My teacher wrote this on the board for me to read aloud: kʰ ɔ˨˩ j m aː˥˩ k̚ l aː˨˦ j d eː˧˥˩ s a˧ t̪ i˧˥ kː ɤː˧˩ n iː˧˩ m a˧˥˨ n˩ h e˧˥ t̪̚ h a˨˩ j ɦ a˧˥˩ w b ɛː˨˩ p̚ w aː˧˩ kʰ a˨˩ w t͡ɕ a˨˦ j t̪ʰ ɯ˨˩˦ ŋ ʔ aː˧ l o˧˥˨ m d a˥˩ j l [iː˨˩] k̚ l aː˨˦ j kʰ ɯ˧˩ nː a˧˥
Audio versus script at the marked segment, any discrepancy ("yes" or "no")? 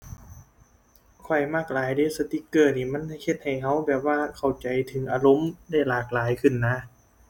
yes